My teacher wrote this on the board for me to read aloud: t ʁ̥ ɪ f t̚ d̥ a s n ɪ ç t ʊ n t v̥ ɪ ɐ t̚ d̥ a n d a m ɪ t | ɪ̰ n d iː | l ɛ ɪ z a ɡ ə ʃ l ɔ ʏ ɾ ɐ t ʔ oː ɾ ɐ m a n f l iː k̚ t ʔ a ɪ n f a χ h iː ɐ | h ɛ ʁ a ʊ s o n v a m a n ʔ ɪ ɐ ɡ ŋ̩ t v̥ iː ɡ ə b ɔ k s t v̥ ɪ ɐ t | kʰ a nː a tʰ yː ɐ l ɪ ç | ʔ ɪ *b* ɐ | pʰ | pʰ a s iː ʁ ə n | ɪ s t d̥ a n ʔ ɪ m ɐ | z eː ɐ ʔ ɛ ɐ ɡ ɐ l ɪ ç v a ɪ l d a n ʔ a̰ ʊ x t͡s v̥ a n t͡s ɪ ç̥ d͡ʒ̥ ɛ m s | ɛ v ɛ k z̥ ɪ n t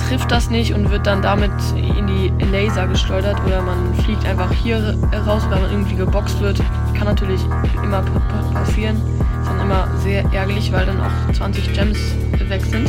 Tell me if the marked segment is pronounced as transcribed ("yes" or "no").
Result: no